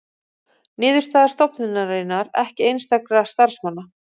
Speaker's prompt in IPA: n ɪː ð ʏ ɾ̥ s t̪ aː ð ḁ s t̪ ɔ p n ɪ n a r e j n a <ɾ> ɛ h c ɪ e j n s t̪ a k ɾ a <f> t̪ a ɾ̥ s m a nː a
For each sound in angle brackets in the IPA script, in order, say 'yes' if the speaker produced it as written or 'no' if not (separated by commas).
yes, no